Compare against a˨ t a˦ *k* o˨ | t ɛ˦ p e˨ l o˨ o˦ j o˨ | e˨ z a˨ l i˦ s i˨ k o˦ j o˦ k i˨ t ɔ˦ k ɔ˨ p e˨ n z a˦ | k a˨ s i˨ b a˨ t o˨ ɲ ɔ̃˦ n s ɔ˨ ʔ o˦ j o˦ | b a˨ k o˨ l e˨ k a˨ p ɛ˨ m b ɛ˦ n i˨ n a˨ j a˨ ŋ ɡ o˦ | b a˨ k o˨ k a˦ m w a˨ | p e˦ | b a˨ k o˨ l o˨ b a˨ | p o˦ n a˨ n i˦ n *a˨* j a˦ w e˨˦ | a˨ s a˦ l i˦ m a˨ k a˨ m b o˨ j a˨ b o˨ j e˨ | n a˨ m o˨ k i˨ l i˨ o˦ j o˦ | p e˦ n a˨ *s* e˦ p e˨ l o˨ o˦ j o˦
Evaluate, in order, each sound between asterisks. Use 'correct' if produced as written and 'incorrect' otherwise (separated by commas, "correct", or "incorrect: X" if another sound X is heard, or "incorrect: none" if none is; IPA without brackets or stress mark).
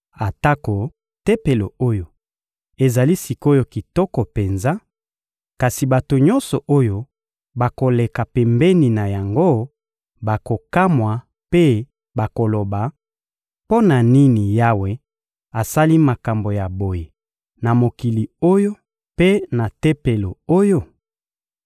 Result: correct, incorrect: i˨, incorrect: t